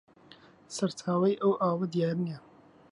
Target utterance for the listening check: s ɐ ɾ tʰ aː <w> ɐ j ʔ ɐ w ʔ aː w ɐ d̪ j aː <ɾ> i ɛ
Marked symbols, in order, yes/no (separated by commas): yes, yes